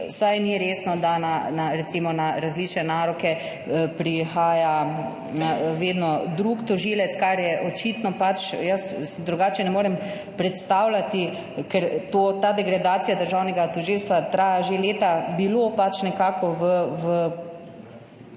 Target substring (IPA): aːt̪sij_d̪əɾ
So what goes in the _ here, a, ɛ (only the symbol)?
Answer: a